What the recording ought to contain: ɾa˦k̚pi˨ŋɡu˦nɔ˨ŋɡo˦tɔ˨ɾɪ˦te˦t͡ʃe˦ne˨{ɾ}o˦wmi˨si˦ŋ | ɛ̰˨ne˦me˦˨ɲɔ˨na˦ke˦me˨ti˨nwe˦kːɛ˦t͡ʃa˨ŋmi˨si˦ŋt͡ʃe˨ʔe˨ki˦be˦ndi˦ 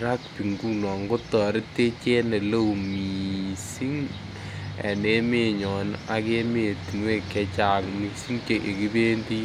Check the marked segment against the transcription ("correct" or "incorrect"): incorrect